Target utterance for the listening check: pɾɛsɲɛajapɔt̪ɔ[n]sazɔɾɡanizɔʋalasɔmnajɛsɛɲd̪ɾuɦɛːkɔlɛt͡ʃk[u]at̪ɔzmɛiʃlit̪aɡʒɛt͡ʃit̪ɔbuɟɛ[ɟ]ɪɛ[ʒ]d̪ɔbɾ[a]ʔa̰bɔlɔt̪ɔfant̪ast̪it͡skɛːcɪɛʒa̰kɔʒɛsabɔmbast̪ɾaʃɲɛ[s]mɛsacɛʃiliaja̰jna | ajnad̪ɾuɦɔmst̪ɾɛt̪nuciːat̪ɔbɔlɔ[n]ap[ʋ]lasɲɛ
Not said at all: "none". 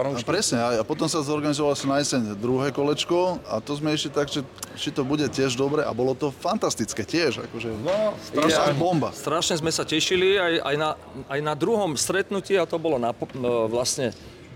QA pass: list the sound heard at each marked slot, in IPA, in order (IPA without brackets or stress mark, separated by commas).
m, ɔ, c, ʒ, ɛ, z, n, ʋ